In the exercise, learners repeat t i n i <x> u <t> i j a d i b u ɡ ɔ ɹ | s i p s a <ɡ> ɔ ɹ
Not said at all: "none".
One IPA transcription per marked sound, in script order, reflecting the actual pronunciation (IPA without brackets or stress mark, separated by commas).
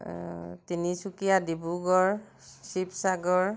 s, k, ɡ